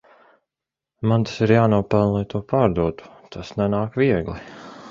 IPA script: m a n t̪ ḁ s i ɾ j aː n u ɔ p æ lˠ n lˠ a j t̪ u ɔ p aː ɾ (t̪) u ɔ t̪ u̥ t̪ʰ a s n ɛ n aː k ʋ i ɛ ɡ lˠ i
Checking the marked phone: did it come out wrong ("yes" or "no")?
yes